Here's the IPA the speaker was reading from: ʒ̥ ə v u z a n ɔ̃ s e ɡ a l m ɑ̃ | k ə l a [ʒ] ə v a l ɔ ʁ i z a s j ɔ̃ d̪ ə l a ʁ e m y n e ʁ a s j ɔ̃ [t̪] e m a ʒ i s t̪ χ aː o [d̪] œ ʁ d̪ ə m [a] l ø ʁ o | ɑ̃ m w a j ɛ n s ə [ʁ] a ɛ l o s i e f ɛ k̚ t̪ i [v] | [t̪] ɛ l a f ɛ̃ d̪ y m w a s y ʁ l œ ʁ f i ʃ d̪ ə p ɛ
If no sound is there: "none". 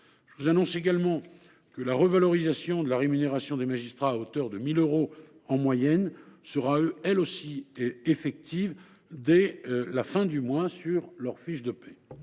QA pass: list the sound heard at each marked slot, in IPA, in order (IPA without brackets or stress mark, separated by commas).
ʁ, d̪, t̪, i, ʁ, v, d̪